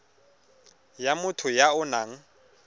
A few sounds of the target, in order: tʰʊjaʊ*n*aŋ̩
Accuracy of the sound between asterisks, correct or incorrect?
correct